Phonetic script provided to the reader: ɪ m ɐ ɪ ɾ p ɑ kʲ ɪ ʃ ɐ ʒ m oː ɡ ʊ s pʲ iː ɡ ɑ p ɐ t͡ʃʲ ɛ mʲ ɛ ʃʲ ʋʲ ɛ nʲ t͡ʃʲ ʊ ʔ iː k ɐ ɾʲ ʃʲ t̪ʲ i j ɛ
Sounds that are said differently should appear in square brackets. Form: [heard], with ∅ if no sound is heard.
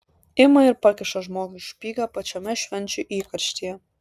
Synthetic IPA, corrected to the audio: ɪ m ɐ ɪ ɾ p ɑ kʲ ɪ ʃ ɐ ʒ m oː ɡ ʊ [ʃ] pʲ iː ɡ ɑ p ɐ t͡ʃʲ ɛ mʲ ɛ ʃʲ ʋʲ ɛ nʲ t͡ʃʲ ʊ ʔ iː k ɐ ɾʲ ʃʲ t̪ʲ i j ɛ